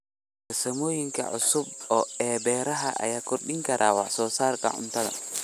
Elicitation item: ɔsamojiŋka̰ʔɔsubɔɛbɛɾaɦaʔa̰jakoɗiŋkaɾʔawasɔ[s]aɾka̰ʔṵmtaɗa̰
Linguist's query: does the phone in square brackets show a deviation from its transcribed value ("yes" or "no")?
no